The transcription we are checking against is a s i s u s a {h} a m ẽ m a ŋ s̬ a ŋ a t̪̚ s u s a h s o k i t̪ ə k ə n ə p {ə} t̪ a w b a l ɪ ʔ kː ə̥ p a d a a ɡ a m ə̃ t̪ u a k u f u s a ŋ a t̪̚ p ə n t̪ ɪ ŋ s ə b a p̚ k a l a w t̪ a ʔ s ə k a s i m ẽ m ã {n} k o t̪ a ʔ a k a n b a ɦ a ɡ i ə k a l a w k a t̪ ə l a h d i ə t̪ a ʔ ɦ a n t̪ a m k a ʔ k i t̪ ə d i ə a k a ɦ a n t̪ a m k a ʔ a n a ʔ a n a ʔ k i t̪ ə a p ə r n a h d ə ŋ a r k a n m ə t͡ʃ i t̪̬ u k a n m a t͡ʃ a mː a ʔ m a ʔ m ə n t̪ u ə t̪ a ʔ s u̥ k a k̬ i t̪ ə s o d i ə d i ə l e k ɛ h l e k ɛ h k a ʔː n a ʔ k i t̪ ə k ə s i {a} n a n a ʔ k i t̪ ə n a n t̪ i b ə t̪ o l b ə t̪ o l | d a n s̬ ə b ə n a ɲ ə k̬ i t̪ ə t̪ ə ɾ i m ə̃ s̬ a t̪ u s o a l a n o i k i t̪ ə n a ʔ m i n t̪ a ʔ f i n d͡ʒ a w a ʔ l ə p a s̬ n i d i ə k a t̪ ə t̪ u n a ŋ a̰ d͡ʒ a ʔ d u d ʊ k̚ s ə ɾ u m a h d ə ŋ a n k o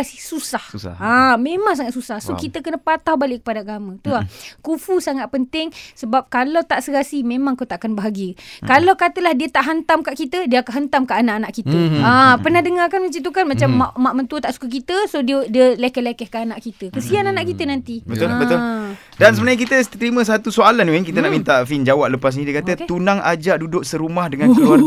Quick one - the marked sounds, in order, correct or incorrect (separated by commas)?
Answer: correct, incorrect, incorrect, correct